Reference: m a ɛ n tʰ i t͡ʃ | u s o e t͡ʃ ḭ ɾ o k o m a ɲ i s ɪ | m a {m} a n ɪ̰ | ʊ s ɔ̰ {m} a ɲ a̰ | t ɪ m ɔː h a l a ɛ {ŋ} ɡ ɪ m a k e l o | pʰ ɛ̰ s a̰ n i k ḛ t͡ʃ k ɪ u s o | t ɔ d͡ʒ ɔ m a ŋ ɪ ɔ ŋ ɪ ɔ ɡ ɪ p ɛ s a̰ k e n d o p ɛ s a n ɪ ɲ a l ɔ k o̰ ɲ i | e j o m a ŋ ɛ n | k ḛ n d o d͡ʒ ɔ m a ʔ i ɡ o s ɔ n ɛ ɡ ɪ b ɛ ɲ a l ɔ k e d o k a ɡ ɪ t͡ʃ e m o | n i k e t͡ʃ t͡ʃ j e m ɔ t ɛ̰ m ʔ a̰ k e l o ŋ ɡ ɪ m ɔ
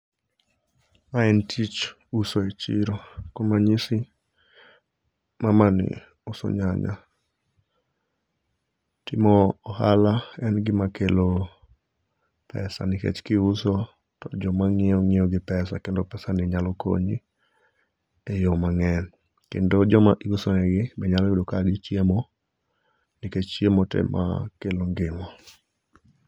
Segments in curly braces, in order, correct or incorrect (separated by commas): correct, incorrect, incorrect